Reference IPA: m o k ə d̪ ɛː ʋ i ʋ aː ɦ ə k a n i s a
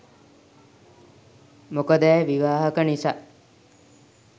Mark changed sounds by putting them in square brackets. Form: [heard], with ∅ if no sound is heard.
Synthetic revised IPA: m o k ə d̪ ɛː ʋ i ʋ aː ɦ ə k [ə] n i s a